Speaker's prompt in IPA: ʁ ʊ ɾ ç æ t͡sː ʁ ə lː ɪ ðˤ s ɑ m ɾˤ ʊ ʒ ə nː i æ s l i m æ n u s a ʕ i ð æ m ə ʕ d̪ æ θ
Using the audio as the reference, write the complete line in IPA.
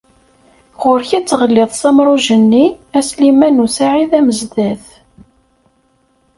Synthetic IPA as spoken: ʁ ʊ ɾ ç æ t͡sː ʁ ə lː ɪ ðˤ s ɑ m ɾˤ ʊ ʒ ə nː i æ s l i m æ n u s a ʕ i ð æ m ə z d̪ æ θ